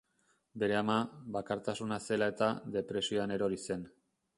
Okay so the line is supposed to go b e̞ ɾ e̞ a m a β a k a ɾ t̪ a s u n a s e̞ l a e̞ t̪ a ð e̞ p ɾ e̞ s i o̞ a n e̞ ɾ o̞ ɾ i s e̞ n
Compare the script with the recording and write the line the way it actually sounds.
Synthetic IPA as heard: b e̞ ɾ e̞ a m a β a k a ɾ t̪ a s u n a s e̞ l a e̞ t̪ a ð e̞ p ɾ e̞ s i o̞ a n e̞ ɾ o̞ ɾ i s e̞ n